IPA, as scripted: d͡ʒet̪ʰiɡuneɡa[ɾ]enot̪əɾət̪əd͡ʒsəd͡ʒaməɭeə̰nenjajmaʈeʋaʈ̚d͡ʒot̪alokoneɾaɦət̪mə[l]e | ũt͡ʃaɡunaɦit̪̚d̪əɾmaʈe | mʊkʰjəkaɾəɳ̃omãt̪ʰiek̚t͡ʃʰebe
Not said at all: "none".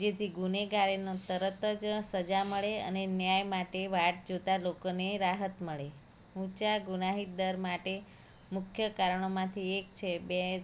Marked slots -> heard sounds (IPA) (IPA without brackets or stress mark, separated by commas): ɾ, ɭ